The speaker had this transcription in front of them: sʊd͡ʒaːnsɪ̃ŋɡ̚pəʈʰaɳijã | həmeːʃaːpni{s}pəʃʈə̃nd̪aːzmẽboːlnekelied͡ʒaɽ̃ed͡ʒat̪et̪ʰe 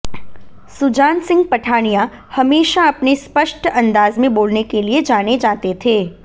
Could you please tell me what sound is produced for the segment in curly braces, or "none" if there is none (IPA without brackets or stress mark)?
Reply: s